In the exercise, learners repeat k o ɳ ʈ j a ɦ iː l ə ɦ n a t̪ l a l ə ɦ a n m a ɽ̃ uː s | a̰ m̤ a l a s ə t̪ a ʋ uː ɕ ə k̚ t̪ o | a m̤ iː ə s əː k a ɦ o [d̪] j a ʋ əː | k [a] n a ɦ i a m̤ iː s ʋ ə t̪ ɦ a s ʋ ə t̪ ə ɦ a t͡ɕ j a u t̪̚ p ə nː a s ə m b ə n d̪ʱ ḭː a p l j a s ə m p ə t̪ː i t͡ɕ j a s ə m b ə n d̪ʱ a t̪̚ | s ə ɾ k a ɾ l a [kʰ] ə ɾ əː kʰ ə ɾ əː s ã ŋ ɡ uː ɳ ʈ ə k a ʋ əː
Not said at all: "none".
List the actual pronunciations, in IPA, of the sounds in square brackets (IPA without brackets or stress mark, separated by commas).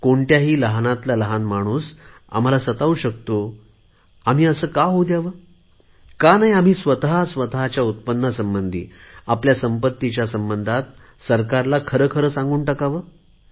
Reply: d̪, a, kʰ